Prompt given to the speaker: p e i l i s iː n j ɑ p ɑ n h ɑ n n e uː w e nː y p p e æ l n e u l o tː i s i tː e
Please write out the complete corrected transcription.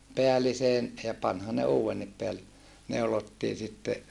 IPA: p e æ l i s eː n j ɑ p ɑ n h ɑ n n e uː w e nː i p p e æ l n e u l o tː iː s i tː e

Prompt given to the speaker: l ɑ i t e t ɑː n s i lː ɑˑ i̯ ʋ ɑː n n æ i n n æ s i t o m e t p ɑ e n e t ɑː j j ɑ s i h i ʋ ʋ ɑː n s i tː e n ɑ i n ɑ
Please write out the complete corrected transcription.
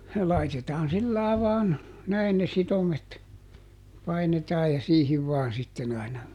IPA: l ɑ i t e t ɑː n s i lː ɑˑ i̯ ʋ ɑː n n æ i n n e s i t o m e t p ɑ i n e t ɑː j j ɑ s iː h i ʋ ʋ ɑː n s i tː e n ɑ i n ɑ

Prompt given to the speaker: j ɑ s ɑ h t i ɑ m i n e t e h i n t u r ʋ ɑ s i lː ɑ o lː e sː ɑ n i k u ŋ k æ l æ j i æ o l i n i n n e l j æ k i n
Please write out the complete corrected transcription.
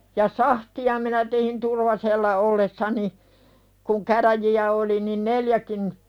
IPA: j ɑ s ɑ h t i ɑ m i n æ t e h i n t u r ʋ ɑ s e lː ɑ o lː e sː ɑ n i k u ŋ k æ r æ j i æ o l i n i n n e l j æ k i n

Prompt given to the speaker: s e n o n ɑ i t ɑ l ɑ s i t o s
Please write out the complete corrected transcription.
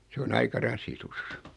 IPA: s e o n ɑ i k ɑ r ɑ s i t u s

